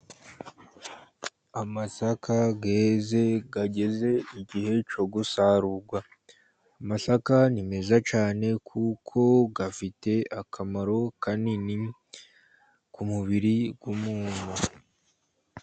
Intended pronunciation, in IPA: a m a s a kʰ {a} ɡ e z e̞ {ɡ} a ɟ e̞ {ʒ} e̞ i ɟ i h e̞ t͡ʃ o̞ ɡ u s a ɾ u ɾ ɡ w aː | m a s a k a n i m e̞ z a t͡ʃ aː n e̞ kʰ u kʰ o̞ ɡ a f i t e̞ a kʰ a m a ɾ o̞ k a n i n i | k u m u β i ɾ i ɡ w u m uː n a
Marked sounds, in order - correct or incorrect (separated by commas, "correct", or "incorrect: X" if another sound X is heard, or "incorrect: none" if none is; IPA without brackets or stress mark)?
correct, correct, incorrect: z